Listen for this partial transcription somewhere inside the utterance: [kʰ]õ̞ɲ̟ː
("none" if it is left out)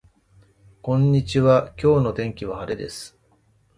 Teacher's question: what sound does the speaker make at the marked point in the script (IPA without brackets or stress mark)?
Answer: k